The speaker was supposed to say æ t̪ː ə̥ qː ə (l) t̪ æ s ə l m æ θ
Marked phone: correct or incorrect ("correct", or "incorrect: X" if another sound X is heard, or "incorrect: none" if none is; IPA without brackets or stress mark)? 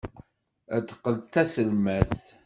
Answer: correct